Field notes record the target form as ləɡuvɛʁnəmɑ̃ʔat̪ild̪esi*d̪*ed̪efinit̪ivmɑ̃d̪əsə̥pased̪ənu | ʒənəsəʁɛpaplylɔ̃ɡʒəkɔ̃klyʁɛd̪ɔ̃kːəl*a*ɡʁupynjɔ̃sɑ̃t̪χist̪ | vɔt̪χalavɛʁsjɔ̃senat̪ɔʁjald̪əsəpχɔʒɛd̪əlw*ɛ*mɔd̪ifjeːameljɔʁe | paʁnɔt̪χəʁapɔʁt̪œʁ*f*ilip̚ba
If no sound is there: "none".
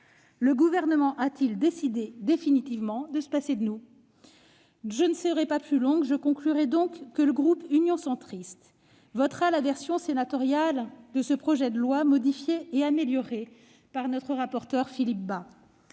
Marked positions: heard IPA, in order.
d̪, ə, a, f

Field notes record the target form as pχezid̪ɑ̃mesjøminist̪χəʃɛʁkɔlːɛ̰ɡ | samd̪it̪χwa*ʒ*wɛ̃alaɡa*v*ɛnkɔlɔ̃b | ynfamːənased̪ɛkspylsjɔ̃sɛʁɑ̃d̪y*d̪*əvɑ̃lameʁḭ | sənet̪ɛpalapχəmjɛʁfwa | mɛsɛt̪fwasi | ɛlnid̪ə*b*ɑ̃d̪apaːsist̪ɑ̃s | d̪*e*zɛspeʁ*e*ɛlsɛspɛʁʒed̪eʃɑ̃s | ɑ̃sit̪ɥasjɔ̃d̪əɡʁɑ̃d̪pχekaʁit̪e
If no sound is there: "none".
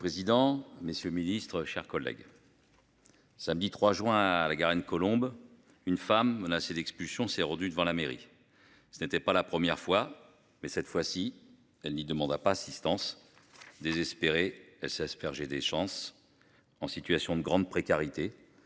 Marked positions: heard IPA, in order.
ʒ, ʁ, d̪, m, e, e

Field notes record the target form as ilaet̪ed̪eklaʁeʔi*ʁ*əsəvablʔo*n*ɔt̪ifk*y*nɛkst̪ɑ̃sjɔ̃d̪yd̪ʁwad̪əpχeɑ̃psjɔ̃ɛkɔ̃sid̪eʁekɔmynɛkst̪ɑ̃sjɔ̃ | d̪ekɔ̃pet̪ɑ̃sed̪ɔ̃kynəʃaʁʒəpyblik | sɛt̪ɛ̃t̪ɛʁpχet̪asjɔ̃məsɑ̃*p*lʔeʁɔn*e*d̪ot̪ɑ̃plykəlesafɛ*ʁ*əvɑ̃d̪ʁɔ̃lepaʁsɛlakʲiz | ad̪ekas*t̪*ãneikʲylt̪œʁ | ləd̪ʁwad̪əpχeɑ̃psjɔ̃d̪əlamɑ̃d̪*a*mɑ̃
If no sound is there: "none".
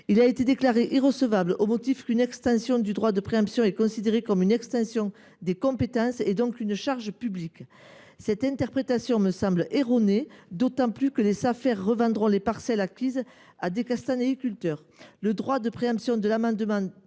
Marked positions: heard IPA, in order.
ʁ, m, y, b, e, ʁː, t̪, ə

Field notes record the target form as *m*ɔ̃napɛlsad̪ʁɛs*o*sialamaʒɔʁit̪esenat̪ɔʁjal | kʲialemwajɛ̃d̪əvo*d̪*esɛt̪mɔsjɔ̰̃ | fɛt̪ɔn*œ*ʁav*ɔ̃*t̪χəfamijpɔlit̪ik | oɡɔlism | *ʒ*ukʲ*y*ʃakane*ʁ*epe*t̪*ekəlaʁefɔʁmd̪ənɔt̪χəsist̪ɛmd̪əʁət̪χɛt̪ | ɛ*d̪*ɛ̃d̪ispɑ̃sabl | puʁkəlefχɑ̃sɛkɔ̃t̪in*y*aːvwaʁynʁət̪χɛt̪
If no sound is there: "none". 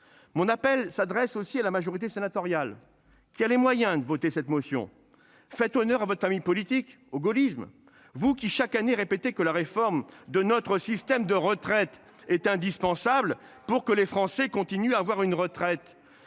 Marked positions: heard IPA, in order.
m, o, t̪, œ, ɔ, v, i, ʁ, t̪, t̪, y

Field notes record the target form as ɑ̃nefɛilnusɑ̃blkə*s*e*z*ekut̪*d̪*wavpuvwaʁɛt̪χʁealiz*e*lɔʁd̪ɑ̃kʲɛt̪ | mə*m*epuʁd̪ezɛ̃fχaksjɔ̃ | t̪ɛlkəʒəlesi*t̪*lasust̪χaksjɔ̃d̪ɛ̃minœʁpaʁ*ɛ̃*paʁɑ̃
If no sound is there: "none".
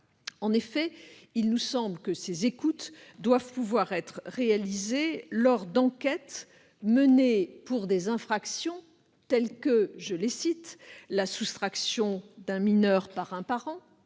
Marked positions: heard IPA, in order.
s, z, d̪, e, n, t̪, ɛ̃

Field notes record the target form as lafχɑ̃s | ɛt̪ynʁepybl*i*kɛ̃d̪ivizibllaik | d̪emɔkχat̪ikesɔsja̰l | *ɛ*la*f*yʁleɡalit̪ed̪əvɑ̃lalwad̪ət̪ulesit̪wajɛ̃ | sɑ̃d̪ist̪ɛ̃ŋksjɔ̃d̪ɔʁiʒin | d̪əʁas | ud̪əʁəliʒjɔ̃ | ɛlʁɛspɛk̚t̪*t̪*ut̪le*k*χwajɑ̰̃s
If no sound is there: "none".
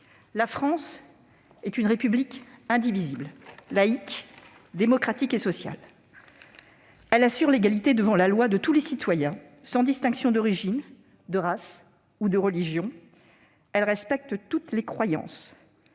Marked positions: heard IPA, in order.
i, ɛ, s, t̪, k

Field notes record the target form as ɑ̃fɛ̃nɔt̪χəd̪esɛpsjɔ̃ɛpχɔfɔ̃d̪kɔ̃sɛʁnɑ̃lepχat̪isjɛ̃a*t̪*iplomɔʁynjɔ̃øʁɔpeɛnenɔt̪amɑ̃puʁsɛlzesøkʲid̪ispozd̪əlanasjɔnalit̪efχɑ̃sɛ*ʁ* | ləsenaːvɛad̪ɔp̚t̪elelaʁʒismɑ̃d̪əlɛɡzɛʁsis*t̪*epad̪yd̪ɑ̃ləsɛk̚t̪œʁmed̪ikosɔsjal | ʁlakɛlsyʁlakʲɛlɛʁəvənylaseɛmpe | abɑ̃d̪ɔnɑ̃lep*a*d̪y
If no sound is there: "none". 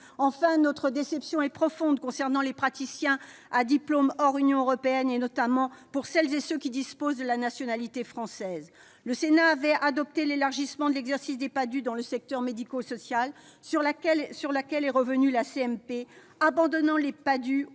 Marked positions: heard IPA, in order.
d̪, z, d̪, a

